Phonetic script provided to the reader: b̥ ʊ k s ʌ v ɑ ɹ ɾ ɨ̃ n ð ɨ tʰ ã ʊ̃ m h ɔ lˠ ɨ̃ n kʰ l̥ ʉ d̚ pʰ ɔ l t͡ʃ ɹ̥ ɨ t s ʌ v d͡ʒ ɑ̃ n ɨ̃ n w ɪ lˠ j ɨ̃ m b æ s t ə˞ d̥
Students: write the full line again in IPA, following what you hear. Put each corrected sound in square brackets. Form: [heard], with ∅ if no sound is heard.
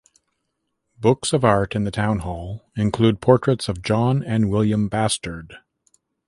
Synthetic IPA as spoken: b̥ ʊ k s ʌ v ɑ ɹ ɾ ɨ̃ n ð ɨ tʰ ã ʊ̃ [n] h ɔ lˠ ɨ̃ n kʰ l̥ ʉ d̚ pʰ ɔ [ɹ] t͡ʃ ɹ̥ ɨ t s ʌ v d͡ʒ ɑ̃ n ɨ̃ n w ɪ lˠ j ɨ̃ m b æ s t ə˞ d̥